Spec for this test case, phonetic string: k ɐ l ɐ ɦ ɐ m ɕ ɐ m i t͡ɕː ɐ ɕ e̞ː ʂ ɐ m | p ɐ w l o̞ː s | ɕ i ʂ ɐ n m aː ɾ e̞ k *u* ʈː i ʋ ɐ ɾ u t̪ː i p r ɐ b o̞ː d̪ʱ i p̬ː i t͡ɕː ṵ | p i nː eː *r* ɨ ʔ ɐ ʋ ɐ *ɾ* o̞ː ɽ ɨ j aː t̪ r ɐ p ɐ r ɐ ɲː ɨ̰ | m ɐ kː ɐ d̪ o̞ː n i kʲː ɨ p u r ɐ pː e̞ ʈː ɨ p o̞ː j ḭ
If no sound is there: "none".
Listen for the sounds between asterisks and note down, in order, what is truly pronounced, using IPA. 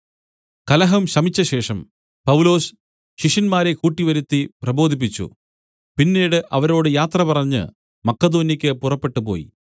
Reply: uː, ɽ, ɾ

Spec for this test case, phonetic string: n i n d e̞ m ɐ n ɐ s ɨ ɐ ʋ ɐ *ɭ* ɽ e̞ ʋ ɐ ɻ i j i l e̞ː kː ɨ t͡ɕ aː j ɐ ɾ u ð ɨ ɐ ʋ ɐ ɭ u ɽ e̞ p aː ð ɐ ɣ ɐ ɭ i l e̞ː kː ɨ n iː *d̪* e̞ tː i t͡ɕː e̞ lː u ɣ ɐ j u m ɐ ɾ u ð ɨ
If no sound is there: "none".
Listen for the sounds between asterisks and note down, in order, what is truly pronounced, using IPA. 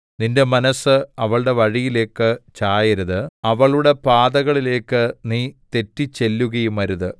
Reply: ɭ, t̪

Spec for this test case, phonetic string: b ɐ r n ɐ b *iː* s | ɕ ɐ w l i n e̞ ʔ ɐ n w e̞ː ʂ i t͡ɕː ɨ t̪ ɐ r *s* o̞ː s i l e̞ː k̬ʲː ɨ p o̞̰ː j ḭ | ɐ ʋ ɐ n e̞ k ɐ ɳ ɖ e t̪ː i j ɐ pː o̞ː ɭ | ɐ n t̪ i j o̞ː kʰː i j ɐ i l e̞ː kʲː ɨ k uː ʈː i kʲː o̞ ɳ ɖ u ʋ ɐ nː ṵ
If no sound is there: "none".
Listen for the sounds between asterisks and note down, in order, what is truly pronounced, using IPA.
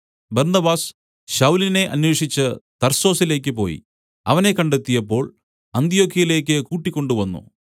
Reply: aː, s

